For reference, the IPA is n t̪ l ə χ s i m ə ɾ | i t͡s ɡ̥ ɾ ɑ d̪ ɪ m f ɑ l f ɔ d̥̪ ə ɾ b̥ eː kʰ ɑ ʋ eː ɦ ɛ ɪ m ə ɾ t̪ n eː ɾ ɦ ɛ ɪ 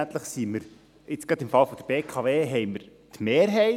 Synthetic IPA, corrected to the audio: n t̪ l ə χ s i m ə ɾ | ɪ t͡s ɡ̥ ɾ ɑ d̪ ɪ m f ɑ l f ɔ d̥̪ ə ɾ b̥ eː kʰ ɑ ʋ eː ɦ ɛ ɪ m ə ɾ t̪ m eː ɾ ɦ ɛ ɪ